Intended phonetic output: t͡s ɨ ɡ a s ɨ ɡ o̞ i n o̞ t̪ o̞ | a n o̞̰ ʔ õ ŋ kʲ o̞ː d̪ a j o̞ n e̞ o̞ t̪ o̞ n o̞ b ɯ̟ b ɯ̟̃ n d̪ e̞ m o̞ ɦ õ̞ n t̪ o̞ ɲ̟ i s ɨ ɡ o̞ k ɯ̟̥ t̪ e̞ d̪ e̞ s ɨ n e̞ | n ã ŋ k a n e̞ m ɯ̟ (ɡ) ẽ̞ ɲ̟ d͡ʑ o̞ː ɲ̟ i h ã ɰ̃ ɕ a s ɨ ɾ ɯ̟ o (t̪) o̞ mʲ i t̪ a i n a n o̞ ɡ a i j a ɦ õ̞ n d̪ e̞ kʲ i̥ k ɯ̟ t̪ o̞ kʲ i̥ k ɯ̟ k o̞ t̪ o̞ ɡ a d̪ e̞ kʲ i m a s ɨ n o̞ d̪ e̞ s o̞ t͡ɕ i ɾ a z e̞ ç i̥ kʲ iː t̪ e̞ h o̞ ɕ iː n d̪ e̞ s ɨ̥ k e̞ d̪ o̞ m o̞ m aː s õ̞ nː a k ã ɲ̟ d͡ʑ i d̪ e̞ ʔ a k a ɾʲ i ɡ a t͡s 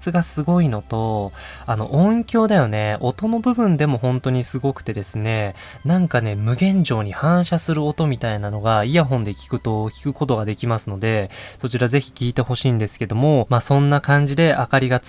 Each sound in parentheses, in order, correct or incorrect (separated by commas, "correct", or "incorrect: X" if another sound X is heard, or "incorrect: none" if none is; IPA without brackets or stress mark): correct, correct